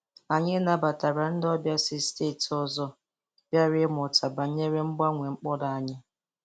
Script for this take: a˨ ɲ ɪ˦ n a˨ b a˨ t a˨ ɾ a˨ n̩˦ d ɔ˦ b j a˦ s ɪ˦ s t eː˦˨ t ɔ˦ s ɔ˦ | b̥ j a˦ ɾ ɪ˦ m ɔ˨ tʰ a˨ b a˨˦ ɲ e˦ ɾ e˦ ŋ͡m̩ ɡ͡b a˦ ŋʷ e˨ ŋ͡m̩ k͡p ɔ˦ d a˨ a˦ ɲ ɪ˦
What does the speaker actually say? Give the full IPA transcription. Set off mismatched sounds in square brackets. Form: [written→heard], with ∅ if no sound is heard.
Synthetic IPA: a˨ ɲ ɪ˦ n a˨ b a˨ t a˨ ɾ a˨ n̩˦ d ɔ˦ b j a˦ s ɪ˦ s t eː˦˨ t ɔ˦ [s→z] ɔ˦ | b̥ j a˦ ɾ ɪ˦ m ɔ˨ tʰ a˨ b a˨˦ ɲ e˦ ɾ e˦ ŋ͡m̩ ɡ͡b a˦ ŋʷ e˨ ŋ͡m̩ k͡p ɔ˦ d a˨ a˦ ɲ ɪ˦